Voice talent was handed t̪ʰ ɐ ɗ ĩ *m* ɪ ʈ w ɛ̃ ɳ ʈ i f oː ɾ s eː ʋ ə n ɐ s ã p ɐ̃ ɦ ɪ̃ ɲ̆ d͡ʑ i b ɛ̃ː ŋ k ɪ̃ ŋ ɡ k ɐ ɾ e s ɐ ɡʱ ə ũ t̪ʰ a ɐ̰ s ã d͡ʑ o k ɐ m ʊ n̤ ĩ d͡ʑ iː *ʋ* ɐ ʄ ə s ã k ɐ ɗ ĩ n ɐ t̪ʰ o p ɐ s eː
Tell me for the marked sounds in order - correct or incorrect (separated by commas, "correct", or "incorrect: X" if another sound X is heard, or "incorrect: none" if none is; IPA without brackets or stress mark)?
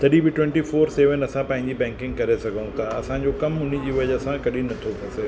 incorrect: b, correct